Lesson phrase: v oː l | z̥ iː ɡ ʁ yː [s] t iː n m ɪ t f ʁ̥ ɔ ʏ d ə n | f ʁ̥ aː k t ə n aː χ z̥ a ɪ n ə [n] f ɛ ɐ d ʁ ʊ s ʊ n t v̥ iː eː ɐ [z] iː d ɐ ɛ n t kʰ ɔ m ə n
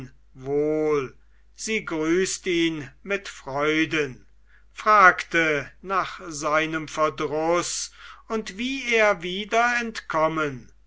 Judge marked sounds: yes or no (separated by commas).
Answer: yes, no, no